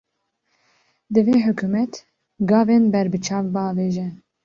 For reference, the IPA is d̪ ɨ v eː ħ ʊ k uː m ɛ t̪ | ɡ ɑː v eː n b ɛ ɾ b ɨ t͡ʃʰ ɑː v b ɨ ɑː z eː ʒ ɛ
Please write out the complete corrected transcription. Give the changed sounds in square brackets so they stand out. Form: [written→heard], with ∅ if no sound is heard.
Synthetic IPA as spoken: d̪ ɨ v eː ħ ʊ k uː m ɛ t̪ | ɡ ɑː v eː n b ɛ ɾ b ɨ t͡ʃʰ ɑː v b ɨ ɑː [z→v] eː ʒ ɛ